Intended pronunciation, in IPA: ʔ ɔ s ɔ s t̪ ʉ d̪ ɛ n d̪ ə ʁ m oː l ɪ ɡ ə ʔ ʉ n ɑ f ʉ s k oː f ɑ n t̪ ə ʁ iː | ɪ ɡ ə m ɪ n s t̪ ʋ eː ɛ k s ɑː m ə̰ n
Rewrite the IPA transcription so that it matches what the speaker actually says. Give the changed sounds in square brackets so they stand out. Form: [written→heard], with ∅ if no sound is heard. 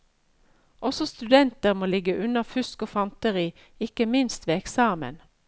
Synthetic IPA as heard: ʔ ɔ s ɔ s t̪ ʉ d̪ ɛ n [d̪→t̪] ə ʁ m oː l ɪ ɡ ə ʔ ʉ n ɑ f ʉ s k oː f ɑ n t̪ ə ʁ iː | ɪ [ɡ→k] ə m ɪ n s t̪ ʋ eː ɛ k s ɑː m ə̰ n